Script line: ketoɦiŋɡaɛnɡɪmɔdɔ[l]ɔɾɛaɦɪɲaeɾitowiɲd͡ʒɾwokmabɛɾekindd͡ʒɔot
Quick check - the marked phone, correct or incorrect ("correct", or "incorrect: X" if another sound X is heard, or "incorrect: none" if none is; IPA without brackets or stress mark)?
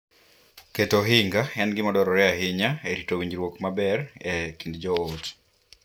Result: incorrect: ɾ